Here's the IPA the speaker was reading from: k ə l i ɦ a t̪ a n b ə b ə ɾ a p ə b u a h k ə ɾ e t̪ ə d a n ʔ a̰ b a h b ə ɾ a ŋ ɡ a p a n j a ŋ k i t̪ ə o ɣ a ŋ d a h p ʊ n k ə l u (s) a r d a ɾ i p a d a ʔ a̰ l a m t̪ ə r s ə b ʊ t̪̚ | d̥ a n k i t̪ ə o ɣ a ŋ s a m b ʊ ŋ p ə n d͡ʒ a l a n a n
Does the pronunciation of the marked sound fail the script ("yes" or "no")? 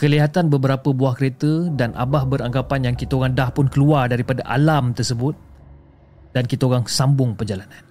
yes